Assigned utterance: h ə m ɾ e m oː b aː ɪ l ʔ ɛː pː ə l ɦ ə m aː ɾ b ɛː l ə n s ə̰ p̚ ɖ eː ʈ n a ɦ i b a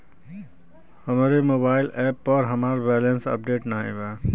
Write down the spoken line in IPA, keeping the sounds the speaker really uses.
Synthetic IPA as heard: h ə m ɾ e m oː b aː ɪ l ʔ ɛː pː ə ɾ ɦ ə m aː ɾ b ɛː l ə n s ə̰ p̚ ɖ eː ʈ n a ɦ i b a